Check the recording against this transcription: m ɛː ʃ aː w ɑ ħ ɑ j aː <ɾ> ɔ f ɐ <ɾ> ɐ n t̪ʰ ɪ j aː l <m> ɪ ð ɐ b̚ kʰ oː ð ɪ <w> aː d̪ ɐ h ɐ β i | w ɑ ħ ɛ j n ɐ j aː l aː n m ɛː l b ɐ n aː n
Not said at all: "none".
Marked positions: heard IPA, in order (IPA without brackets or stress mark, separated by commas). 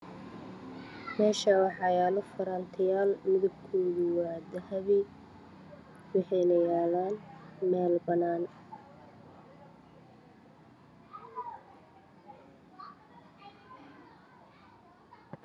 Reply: l, ɾ, m, w